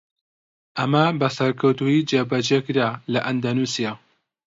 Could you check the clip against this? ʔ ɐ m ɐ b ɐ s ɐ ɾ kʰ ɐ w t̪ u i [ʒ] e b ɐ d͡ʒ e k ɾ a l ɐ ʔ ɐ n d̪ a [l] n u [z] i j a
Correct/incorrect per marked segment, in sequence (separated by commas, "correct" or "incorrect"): incorrect, incorrect, incorrect